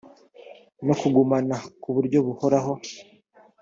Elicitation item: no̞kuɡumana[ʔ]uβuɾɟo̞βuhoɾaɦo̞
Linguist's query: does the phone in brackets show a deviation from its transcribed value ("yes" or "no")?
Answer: yes